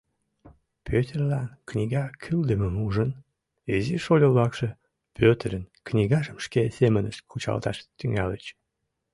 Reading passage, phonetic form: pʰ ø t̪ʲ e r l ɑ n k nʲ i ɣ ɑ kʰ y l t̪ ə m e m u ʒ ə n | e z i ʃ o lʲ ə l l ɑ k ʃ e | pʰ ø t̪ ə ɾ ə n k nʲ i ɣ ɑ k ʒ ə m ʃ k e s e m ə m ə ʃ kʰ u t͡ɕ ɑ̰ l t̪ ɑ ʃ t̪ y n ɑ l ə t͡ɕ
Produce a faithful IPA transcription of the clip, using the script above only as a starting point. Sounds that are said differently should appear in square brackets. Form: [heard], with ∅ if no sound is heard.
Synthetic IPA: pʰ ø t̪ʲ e r l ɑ n k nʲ i ɣ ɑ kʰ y l [d̪] ə m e m u ʒ ə n | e z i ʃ o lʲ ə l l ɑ k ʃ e | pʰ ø t̪ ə ɾ ə n k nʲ i ɣ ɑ [∅] ʒ ə m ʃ k e s e m ə [n] ə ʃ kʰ u t͡ɕ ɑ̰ l t̪ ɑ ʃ t̪ y [ŋ] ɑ l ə t͡ɕ